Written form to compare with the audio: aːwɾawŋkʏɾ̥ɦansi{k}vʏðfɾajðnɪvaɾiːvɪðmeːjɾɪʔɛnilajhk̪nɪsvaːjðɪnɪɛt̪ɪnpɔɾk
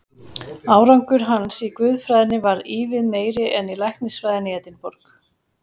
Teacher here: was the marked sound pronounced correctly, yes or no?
yes